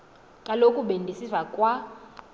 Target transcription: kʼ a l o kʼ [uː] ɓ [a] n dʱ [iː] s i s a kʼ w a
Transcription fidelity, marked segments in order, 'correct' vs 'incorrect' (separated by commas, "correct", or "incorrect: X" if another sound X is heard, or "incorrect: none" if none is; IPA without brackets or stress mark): incorrect: u, incorrect: e, incorrect: i